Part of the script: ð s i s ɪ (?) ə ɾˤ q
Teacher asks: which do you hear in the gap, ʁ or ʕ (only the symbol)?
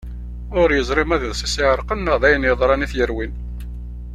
ʕ